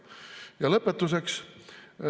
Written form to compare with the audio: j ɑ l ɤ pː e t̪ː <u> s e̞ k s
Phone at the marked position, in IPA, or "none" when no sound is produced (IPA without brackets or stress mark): u